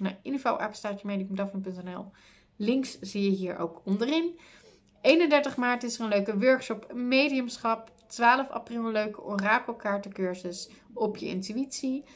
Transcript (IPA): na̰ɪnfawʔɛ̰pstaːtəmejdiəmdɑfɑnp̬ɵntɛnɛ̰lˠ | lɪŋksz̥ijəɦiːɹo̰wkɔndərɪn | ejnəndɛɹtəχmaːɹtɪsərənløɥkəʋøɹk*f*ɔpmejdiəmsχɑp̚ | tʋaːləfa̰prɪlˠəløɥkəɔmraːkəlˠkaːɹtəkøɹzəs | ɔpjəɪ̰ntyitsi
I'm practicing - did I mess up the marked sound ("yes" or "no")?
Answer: yes